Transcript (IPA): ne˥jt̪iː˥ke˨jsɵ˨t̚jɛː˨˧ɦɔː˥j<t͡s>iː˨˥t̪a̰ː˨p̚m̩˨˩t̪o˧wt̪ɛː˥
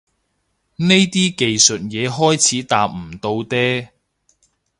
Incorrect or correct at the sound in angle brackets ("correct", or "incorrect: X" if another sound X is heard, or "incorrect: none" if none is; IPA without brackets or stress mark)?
incorrect: t͡sʰ